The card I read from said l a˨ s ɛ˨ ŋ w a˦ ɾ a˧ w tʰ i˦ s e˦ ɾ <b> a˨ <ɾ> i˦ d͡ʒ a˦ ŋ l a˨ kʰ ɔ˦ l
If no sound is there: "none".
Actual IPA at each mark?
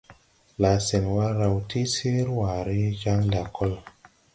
w, ɾ

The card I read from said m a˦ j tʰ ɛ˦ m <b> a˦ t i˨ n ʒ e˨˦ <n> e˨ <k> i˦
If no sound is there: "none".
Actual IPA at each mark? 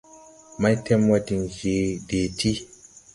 w, d, t

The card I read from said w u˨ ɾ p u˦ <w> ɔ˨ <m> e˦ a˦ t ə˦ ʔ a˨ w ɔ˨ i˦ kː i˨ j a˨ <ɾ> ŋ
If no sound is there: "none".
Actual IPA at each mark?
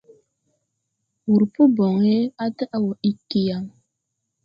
b, ŋ, none

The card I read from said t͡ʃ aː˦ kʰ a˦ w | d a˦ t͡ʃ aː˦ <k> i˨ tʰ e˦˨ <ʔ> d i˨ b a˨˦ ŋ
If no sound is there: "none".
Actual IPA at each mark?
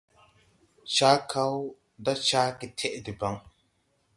k, ʔ

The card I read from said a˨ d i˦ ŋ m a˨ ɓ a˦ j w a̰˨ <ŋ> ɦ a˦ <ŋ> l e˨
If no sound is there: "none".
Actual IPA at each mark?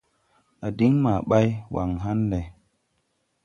ŋ, n

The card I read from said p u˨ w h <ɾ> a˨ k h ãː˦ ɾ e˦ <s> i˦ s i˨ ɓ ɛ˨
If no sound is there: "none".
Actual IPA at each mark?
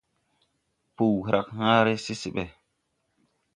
ɾ, s

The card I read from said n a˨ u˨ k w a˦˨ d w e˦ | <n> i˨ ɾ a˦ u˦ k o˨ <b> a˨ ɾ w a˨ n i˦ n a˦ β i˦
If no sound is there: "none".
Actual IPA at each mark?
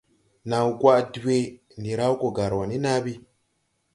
n, ɡ

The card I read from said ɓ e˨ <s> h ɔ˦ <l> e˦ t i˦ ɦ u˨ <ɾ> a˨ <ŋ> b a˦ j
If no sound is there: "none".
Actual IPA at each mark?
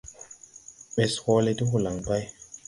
s, l, l, ŋ

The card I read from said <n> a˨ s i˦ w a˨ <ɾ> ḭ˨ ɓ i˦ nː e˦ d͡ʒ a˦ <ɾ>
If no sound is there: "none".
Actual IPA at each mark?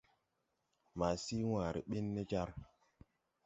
m, ɾ, ɾ

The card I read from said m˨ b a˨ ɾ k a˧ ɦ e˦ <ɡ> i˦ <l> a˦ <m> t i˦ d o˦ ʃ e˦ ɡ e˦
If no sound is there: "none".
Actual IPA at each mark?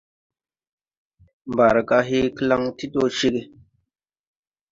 k, l, ŋ

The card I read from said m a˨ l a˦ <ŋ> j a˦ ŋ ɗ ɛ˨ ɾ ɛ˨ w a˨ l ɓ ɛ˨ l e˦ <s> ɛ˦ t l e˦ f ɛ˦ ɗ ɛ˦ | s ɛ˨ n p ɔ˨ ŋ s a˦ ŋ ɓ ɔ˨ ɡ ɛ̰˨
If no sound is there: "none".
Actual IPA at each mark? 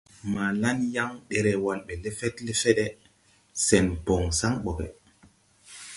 n, f

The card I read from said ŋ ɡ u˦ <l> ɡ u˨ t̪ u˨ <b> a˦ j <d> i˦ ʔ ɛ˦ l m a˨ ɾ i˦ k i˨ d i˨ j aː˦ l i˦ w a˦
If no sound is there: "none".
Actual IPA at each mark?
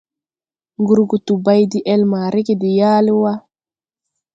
ɾ, b, d

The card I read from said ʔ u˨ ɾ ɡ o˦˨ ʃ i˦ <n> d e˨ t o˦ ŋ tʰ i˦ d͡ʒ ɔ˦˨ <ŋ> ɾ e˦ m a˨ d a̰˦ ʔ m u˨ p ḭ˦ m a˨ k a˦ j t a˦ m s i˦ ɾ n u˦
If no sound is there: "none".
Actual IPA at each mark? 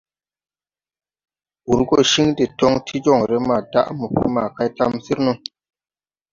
ŋ, ŋ

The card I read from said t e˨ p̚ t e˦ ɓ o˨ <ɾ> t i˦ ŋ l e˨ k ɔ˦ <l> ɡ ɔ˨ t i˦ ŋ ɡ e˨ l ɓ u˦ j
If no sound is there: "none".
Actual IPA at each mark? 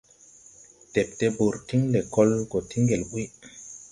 ɾ, l

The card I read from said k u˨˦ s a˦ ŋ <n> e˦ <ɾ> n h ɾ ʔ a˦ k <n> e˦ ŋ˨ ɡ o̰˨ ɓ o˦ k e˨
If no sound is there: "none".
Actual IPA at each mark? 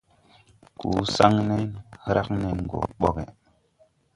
n, none, n

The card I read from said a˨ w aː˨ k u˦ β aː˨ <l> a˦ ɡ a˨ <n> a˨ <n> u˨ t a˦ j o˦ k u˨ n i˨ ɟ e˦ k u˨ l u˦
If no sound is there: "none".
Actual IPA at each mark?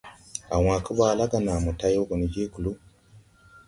l, n, m

